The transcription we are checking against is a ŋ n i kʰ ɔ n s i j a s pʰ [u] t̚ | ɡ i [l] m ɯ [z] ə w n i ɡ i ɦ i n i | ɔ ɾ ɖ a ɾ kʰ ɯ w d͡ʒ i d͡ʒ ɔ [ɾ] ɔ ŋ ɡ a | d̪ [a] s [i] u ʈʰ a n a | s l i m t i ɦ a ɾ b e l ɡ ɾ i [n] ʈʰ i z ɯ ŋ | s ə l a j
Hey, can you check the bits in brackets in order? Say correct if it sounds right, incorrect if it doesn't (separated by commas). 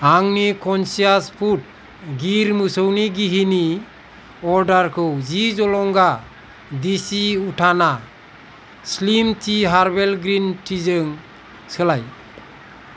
correct, incorrect, incorrect, incorrect, incorrect, correct, correct